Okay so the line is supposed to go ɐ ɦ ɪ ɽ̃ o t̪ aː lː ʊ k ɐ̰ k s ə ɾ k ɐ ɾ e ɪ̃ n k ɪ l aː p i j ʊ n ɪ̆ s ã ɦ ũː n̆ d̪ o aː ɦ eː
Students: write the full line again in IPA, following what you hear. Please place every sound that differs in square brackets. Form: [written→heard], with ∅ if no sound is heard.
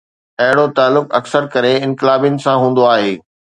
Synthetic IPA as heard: ɐ ɦ ɪ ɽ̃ o t̪ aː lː ʊ k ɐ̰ k s ə ɾ k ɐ ɾ e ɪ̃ n k ɪ l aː [p→b] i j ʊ n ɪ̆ s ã ɦ ũː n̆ d̪ o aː ɦ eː

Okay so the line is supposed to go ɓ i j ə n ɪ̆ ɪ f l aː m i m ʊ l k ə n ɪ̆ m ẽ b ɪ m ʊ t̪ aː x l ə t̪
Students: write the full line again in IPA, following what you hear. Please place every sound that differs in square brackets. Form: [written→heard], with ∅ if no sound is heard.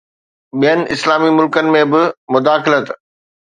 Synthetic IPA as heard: ɓ i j ə n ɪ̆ ɪ [f→s] l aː m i m ʊ l k ə n ɪ̆ m ẽ b ɪ m ʊ [t̪→d̪] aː x l ə t̪

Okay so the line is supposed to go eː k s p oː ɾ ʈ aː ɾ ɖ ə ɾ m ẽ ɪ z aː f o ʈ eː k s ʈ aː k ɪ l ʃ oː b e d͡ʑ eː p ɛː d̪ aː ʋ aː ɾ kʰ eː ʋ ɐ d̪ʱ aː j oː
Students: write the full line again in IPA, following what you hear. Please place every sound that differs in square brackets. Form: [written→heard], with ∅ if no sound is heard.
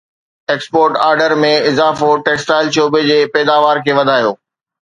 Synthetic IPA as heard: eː k s p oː ɾ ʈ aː ɾ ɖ ə ɾ m ẽ ɪ z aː f o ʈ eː k s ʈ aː [k→∅] ɪ l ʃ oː b e d͡ʑ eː p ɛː d̪ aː ʋ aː ɾ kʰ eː ʋ ɐ d̪ʱ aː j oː

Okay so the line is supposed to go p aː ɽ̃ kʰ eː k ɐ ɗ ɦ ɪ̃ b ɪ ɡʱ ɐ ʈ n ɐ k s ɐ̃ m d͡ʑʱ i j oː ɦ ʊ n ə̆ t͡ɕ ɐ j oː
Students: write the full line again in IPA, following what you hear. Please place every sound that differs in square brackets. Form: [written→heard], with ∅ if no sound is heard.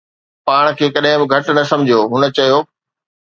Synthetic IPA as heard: p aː ɽ̃ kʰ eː k ɐ ɗ ɦ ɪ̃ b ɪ ɡʱ ɐ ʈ n ɐ [k→∅] s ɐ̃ m d͡ʑʱ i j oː ɦ ʊ n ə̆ t͡ɕ ɐ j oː

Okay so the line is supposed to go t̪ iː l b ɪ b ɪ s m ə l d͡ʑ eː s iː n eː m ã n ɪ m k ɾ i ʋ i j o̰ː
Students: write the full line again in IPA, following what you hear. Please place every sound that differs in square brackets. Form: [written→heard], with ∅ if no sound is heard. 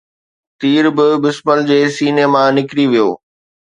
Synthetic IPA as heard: t̪ iː [l→ɾ] b ɪ b ɪ s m ə l d͡ʑ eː s iː n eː m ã n ɪ [m→∅] k ɾ i ʋ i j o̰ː

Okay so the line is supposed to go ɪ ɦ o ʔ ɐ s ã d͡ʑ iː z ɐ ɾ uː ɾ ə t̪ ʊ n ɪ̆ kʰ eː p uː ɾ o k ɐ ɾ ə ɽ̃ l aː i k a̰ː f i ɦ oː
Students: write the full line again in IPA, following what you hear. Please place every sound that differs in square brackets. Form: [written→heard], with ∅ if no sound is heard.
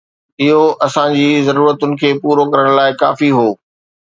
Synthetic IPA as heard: ɪ ɦ o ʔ ɐ s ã d͡ʑ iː z ɐ ɾ uː ɾ ə t̪ ʊ n ɪ̆ kʰ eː p uː ɾ o k ɐ ɾ ə ɽ̃ l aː [i→ɪ] k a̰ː f i ɦ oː

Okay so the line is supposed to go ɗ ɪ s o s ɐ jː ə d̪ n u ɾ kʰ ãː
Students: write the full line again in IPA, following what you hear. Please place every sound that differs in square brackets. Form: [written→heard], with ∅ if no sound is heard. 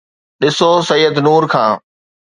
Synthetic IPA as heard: ɗ ɪ s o s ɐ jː ə d̪ n [u→uː] ɾ kʰ ãː

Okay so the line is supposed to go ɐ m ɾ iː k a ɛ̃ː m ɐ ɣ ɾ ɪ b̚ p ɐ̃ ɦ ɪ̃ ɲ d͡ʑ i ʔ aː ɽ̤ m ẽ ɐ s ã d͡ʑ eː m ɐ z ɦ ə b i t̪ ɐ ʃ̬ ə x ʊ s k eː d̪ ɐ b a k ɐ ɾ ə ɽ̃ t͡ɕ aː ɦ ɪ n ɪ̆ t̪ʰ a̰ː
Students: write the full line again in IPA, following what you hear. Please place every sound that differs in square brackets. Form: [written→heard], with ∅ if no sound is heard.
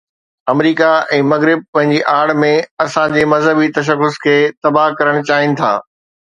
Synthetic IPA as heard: ɐ m ɾ iː k a ɛ̃ː m ɐ ɣ ɾ ɪ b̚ p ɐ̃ ɦ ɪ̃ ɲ d͡ʑ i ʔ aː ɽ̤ m ẽ ɐ s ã d͡ʑ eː m ɐ z ɦ ə b i t̪ ɐ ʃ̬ ə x ʊ s [k→kʰ] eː [d̪→t̪] ɐ b a k ɐ ɾ ə ɽ̃ t͡ɕ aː ɦ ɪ n ɪ̆ t̪ʰ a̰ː

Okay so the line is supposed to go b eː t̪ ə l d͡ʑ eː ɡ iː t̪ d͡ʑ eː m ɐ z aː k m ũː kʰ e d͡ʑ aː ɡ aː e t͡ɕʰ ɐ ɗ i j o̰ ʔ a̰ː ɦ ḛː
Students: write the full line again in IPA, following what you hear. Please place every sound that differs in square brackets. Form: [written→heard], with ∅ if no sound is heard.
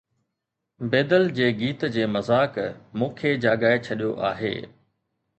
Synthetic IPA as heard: b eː [t̪→d̪] ə l d͡ʑ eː ɡ iː t̪ d͡ʑ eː m ɐ z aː k m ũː kʰ e d͡ʑ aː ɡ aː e t͡ɕʰ ɐ ɗ i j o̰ ʔ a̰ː ɦ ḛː

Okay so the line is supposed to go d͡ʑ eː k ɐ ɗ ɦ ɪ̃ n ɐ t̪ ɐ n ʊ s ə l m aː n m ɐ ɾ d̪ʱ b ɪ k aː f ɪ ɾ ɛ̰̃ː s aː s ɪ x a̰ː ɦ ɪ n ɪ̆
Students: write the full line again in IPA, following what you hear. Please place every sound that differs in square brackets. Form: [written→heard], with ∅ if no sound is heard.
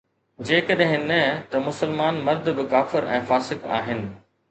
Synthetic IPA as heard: d͡ʑ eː k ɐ ɗ ɦ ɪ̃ n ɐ t̪ ɐ [n→m] ʊ s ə l m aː n m ɐ ɾ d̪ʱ b ɪ k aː f ɪ ɾ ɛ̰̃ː [s→f] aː s ɪ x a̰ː ɦ ɪ n ɪ̆

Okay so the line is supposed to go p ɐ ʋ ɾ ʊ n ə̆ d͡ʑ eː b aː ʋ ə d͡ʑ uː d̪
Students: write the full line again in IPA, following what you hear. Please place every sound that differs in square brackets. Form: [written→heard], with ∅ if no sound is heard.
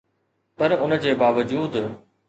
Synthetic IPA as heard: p ɐ [ʋ→∅] ɾ ʊ n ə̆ d͡ʑ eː b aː ʋ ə d͡ʑ uː d̪

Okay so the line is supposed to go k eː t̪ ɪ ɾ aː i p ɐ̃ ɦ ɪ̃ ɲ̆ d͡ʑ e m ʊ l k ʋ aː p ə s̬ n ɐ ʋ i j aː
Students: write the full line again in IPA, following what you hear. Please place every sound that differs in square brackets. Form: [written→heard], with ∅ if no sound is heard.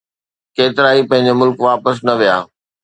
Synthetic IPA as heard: k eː t̪ ɪ ɾ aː i p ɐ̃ ɦ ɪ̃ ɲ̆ d͡ʑ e m ʊ l k ʋ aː p ə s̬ n ɐ ʋ i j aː

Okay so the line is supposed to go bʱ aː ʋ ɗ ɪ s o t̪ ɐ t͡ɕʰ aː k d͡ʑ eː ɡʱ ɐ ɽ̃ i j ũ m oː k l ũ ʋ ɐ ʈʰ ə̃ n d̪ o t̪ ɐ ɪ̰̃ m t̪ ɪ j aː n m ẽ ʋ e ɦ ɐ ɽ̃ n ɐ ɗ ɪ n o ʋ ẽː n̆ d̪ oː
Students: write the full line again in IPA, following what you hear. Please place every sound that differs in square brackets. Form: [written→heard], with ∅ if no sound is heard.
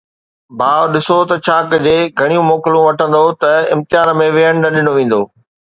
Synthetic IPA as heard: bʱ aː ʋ ɗ ɪ s o t̪ ɐ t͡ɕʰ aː k d͡ʑ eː ɡʱ ɐ ɽ̃ i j ũ m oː k l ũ ʋ ɐ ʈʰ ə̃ n d̪ o t̪ ɐ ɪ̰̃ m t̪ ɪ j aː n m ẽ ʋ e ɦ [ɐ→ə] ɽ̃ n ɐ ɗ ɪ n o ʋ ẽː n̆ d̪ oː

